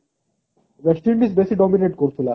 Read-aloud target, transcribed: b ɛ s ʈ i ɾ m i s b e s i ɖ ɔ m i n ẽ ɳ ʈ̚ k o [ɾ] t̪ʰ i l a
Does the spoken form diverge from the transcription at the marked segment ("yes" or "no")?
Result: no